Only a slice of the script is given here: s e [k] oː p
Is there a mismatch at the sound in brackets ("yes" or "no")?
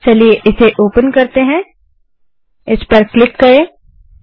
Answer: yes